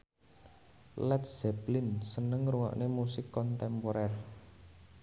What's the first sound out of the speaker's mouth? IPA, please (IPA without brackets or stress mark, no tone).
l